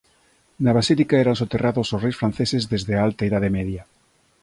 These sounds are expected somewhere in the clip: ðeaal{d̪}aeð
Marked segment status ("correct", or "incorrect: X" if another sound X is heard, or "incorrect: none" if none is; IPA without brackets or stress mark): incorrect: t̪